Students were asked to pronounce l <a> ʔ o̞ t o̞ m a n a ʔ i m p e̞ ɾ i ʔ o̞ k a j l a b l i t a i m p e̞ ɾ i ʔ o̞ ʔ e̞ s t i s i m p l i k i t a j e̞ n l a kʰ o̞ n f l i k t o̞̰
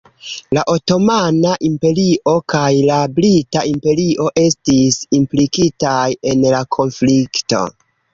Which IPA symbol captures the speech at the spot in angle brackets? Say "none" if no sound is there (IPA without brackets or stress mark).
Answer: a